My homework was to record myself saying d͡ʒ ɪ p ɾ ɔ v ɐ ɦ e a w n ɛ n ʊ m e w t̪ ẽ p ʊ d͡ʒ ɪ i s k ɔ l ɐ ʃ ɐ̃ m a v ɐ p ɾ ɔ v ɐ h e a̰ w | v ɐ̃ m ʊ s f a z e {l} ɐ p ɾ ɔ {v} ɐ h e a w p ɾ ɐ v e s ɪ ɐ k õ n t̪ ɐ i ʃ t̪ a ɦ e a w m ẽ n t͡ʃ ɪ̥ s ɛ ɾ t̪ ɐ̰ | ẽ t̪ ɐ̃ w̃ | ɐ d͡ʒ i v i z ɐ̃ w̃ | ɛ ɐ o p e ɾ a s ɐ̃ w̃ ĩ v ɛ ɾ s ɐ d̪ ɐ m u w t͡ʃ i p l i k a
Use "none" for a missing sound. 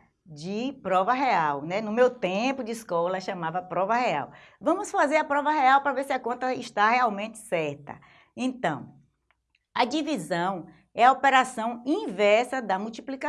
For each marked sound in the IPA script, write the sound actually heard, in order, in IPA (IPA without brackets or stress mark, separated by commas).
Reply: ɾ, v